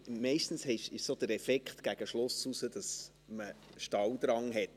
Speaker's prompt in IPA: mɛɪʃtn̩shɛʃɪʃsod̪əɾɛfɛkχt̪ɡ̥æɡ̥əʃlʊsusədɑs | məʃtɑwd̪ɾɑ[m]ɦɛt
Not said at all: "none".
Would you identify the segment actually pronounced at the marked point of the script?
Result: ŋ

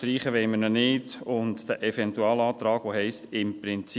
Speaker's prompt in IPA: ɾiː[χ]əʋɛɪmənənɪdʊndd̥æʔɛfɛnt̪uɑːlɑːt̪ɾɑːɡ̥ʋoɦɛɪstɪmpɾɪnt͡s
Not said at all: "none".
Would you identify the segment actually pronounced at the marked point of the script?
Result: χ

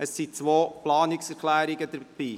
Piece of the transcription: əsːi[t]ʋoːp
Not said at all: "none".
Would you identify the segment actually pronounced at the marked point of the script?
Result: t͡s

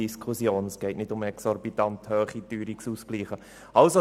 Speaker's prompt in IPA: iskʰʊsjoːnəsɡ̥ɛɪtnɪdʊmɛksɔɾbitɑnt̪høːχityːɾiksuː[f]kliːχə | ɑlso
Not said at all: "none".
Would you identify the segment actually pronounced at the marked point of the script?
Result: s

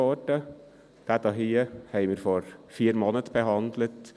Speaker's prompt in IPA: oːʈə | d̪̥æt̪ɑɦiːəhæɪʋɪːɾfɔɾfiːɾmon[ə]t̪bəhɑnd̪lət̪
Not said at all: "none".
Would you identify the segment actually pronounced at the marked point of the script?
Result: ə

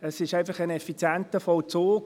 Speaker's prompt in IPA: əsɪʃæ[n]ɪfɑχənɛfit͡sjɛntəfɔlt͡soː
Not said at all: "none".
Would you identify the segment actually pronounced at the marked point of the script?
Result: none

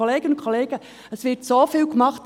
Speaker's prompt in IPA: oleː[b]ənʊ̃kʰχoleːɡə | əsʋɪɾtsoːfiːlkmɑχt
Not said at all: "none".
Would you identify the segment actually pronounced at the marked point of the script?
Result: ɡ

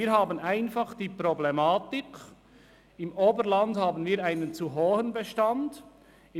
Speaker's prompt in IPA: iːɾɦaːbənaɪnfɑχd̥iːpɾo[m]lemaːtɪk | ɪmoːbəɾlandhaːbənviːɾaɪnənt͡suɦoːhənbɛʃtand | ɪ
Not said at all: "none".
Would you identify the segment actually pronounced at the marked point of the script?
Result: b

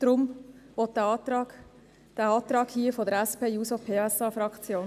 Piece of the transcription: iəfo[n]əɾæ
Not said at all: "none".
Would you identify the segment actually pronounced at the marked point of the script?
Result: d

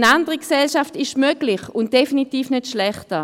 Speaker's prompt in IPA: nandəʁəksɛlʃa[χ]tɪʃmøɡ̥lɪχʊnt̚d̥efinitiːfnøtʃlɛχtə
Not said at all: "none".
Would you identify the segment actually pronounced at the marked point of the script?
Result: f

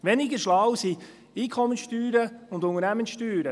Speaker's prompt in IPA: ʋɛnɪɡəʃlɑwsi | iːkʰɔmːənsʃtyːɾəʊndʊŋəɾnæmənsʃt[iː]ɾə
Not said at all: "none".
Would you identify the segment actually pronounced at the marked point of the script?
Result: yː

